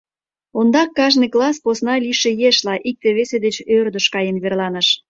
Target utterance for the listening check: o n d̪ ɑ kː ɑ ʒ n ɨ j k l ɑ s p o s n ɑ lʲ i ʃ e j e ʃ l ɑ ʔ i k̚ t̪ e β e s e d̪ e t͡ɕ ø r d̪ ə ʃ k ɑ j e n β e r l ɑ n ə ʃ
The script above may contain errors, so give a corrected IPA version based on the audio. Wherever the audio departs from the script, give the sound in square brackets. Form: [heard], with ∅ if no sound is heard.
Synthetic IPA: o n d̪ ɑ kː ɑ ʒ n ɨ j k l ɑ s p o s n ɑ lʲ i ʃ e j e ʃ l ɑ ʔ i k̚ t̪ e β e s e d̪ e t͡ɕ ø r d̪ ə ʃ k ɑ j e n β e r l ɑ n ə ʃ